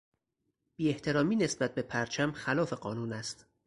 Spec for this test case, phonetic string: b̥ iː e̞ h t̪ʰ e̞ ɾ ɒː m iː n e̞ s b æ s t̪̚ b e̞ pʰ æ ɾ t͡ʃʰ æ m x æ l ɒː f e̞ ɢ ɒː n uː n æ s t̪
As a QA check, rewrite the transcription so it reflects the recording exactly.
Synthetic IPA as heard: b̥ iː e̞ h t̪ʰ e̞ ɾ ɒː m iː n e̞ s b æ t̪̚ b e̞ pʰ æ ɾ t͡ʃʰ æ m x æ l ɒː f e̞ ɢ ɒː n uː n æ s t̪